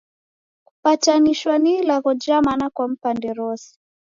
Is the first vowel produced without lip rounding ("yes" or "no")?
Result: no